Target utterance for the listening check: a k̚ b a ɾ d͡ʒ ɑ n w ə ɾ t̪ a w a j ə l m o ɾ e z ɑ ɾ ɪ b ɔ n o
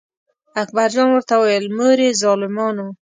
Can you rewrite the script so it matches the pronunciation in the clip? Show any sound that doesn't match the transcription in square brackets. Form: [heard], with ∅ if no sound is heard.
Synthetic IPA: a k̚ b a ɾ d͡ʒ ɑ n w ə ɾ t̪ a w a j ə l m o ɾ e z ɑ [l] ɪ [m] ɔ n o